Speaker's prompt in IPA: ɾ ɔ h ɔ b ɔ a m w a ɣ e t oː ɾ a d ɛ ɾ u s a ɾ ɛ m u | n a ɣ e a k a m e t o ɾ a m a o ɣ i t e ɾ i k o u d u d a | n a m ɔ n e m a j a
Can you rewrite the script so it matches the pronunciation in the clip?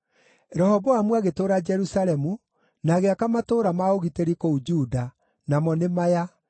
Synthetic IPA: ɾ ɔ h ɔ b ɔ a m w a ɣ e t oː ɾ a d͡ʒ ɛ ɾ u s a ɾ ɛ m u | n a ɣ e a k a m a t o ɾ a m a o ɣ i t e ɾ i k o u d͡ʒ u d a | n a m ɔ n e m a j a